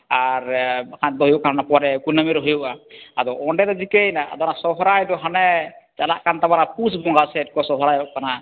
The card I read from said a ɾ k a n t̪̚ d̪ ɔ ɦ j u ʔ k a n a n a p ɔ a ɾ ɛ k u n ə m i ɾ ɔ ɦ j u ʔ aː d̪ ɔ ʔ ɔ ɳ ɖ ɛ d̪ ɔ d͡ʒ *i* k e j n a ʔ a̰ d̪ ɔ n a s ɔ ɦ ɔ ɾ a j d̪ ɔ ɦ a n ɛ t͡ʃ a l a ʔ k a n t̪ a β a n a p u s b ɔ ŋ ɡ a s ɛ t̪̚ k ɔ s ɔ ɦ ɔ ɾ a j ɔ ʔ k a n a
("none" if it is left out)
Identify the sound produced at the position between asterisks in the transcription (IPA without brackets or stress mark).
i